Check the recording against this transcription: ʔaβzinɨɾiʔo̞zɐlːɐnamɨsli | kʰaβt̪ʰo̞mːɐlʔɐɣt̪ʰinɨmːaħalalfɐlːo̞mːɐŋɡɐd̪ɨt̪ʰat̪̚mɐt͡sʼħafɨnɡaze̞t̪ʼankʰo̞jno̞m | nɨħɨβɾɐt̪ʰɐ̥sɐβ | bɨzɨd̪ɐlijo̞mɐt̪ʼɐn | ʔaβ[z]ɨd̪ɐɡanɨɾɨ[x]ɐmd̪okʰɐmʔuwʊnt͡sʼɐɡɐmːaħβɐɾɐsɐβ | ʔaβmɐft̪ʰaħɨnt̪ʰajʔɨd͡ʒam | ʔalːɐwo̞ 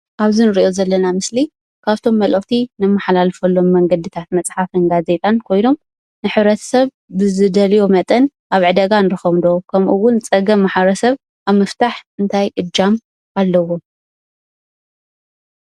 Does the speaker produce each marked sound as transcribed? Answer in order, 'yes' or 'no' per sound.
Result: no, yes

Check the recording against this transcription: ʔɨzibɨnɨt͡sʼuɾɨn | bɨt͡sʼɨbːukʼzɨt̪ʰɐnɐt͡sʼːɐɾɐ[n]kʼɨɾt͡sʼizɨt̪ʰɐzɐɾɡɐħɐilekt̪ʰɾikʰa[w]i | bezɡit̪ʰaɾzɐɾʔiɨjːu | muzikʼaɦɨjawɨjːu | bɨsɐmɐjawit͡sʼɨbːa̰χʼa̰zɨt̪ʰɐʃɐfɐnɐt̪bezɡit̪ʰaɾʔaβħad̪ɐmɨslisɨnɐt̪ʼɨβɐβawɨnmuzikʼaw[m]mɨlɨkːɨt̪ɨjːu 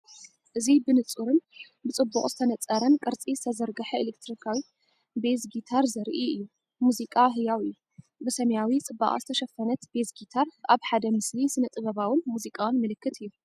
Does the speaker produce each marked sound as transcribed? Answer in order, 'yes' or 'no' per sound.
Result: yes, yes, no

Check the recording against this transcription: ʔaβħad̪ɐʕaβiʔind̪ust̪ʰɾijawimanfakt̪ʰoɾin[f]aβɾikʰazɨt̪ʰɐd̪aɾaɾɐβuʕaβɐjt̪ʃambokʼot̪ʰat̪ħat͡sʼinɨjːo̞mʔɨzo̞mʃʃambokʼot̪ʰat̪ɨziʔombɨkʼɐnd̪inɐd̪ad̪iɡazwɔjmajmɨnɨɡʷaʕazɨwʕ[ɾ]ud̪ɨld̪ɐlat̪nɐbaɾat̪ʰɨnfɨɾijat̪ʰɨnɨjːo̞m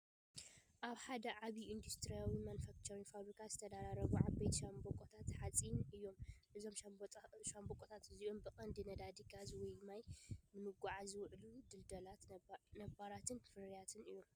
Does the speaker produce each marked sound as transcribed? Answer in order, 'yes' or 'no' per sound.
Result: yes, no

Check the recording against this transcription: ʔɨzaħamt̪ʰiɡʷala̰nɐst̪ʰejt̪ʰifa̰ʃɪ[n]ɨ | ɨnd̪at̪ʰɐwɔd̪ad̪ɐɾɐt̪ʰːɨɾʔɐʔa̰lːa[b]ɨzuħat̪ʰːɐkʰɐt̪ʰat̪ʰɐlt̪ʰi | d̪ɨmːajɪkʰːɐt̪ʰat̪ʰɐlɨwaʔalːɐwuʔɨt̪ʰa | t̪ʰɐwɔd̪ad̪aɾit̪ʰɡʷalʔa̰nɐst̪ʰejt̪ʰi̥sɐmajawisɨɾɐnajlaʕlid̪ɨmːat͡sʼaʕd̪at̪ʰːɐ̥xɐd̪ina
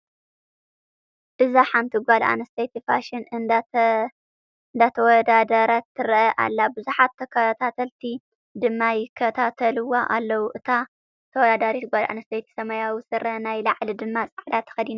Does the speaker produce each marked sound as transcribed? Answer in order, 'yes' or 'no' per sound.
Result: yes, yes

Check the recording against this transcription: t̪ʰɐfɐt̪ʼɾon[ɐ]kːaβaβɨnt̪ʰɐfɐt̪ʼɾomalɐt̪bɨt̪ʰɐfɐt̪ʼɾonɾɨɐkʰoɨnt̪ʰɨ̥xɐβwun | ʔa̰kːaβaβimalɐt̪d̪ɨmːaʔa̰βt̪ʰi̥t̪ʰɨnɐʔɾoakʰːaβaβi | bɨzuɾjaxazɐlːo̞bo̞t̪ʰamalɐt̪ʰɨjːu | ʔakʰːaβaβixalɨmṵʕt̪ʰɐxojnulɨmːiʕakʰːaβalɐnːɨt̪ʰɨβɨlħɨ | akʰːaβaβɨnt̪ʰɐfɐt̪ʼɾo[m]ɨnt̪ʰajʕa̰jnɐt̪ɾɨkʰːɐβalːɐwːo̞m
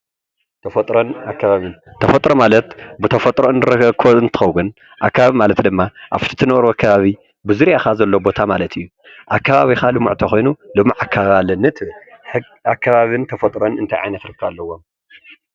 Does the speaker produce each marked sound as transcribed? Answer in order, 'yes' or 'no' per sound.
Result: no, no

